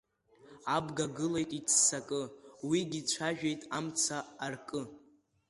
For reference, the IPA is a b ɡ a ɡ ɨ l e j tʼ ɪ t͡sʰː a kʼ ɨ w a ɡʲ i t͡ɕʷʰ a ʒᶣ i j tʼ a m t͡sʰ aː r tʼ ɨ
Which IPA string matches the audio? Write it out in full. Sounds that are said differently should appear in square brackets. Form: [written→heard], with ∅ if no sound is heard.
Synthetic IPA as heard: a b ɡ a ɡ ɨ l e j tʼ [ɪ→i] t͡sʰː a kʼ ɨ w [a→i] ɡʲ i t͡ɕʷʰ a ʒᶣ [i→e] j tʼ a m t͡sʰ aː r [tʼ→kʼ] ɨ